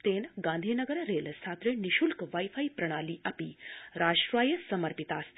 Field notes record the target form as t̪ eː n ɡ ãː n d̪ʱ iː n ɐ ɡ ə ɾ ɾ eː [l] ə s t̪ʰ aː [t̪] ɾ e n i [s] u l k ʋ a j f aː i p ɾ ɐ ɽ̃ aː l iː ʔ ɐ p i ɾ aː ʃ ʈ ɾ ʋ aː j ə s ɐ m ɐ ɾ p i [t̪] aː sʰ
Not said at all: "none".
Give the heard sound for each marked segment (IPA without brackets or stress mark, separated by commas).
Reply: l, t̪, ʃ, t̪